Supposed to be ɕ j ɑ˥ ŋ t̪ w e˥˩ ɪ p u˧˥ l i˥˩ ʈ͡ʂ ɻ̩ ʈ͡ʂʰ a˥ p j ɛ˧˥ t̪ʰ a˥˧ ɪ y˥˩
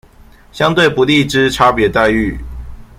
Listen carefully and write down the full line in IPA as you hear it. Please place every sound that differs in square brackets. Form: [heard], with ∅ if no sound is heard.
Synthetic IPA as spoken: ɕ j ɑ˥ ŋ t̪ w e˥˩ ɪ p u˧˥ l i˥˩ ʈ͡ʂ ɻ̩ ʈ͡ʂʰ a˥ p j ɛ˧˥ [t̪] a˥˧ ɪ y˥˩